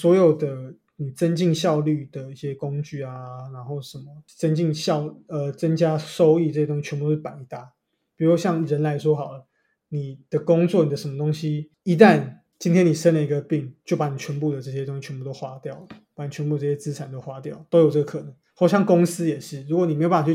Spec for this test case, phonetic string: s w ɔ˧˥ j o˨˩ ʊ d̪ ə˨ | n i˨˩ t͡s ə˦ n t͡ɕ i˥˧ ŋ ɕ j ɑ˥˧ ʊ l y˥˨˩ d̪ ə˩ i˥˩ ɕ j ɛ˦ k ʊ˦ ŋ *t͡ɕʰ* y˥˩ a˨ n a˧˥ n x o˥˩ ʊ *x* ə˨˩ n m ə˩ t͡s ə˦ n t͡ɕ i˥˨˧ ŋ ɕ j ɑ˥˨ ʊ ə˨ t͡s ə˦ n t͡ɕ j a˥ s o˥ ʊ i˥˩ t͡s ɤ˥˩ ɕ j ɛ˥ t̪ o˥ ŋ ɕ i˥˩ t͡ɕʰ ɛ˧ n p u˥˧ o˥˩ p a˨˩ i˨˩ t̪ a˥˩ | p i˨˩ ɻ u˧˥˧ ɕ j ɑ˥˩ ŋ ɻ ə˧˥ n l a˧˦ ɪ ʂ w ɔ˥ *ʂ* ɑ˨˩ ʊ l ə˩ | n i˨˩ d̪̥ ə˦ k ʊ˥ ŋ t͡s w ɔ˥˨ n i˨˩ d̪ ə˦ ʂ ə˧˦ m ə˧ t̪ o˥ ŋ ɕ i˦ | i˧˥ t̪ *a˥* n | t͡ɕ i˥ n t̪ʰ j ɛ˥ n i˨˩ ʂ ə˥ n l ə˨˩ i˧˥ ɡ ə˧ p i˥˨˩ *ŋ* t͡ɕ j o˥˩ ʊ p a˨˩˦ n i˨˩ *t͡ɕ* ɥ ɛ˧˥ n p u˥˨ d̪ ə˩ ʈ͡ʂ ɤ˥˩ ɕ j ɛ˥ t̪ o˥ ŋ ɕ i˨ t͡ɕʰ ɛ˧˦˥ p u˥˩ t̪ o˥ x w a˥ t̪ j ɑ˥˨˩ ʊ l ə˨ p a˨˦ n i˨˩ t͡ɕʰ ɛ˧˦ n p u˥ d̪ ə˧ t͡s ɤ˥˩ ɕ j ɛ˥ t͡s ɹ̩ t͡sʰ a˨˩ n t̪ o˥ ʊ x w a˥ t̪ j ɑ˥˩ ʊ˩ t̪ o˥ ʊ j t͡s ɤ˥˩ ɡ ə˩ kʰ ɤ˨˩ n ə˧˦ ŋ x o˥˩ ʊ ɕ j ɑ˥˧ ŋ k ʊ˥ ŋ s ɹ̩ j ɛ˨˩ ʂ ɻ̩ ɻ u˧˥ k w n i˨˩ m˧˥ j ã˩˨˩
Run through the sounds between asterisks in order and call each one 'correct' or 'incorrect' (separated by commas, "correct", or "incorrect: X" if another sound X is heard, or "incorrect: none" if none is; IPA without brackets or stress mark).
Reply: incorrect: t͡ɕ, incorrect: ʂ, incorrect: x, incorrect: a˥˨, correct, incorrect: t͡ɕʰ